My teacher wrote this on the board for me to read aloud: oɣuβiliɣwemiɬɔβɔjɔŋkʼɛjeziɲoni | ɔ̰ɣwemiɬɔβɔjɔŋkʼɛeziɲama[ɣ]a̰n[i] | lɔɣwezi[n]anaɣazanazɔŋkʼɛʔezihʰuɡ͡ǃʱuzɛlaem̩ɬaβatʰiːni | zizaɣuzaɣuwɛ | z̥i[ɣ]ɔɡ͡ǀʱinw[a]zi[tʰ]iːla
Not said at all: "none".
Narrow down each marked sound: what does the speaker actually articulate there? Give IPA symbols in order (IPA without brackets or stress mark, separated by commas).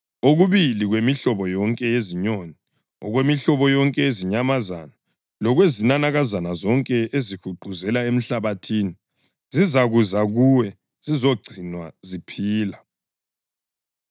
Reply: z, a, n, z, a, pʰ